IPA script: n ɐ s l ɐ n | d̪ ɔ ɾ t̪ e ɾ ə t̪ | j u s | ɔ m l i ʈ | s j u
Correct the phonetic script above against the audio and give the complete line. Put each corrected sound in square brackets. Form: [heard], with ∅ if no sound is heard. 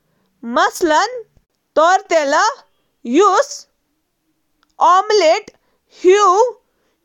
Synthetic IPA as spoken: [m] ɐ s l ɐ n | [t̪] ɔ ɾ t̪ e [l] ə [∅] | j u s | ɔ m l [e] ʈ | [h] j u